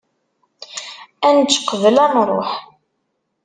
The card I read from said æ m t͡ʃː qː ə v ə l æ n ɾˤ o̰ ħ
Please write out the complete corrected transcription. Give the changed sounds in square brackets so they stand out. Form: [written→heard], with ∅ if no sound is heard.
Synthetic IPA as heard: æ [m→n] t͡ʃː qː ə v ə l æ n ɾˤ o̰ ħ